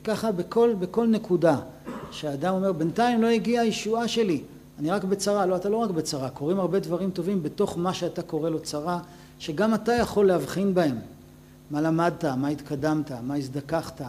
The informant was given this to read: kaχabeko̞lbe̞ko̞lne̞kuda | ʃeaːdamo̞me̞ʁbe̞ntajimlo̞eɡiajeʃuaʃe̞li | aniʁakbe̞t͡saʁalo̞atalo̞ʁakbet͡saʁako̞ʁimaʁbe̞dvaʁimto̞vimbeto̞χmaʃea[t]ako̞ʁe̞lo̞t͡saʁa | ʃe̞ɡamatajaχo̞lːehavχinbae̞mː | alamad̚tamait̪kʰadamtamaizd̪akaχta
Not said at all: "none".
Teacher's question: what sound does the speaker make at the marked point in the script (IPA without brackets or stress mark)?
t